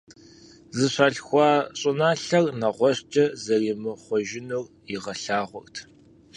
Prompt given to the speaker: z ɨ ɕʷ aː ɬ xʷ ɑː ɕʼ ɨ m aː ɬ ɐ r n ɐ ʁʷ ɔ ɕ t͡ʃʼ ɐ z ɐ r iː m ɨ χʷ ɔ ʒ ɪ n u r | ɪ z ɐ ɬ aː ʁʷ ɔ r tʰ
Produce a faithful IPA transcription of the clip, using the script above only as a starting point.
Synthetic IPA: z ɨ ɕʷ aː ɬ xʷ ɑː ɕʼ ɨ n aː ɬ ɐ r n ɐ ʁʷ ɔ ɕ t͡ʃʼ ɐ z ɐ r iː m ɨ χʷ ɔ ʒ ɪ n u r | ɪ ʁ ɐ ɬ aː ʁʷ ɔ r tʰ